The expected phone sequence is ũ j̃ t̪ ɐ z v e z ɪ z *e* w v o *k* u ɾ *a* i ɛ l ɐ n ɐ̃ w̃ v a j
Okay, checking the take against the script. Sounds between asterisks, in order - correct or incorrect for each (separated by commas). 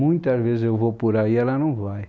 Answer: correct, incorrect, correct